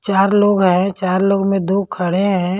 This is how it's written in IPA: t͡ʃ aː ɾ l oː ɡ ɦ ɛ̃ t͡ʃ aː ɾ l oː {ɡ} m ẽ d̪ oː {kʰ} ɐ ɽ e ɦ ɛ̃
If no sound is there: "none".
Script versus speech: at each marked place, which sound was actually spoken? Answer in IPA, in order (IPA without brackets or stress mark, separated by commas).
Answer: ɡ, kʰ